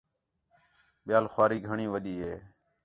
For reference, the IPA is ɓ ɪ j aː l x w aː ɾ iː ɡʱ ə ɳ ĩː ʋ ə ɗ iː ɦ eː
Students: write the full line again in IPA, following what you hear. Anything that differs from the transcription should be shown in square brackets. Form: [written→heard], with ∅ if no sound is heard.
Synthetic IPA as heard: ɓ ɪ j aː l x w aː ɾ iː ɡʱ ə ɳ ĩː ʋ ə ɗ iː ɦ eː